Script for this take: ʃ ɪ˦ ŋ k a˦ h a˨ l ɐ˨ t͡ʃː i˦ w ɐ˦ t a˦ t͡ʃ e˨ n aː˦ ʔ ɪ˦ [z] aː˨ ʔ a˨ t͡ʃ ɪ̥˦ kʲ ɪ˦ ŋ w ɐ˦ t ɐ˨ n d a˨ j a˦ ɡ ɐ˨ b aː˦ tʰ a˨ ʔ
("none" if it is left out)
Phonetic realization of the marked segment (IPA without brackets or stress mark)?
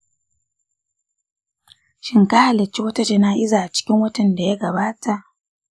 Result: z